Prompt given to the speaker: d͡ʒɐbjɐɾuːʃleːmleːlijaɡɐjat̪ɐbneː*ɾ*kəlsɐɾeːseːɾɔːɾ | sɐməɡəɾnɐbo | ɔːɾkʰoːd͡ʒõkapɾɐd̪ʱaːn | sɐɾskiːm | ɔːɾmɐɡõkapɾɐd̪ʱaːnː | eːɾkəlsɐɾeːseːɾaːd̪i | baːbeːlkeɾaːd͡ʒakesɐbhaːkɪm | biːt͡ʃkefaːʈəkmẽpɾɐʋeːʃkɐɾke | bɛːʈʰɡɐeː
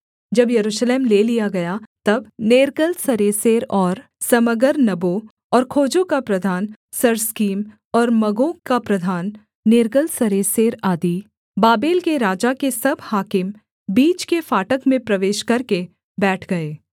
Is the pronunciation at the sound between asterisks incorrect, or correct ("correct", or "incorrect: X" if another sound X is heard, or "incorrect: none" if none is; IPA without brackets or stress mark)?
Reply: correct